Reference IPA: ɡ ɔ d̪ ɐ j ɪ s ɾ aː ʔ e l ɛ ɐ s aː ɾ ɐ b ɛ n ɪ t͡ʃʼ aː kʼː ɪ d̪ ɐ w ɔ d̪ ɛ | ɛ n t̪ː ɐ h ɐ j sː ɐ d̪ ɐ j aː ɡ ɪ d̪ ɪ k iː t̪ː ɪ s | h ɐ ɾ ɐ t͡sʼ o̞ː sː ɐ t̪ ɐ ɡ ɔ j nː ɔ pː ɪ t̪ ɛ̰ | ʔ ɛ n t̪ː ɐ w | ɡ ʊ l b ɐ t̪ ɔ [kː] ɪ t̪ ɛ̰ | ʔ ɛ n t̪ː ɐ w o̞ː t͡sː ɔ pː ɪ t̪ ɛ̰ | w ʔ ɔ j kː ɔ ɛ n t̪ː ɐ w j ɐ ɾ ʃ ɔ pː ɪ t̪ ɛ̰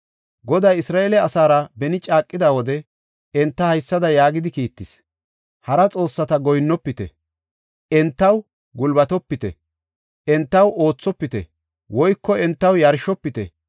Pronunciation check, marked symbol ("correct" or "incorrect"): incorrect